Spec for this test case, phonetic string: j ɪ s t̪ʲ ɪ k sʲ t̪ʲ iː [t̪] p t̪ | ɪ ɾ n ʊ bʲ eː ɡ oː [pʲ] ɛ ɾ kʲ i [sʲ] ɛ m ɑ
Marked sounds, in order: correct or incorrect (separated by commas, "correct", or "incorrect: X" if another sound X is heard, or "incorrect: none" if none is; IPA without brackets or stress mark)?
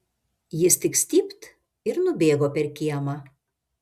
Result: incorrect: none, correct, incorrect: none